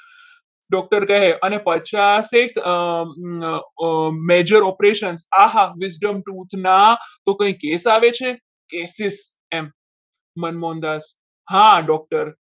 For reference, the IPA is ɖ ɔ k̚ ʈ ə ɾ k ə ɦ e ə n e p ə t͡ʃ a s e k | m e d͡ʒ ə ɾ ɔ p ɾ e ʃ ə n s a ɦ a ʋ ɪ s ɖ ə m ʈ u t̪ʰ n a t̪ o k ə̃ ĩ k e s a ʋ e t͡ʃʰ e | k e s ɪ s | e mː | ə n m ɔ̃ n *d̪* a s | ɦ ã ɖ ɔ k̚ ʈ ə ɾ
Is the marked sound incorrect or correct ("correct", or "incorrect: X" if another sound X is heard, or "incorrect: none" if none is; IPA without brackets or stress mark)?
correct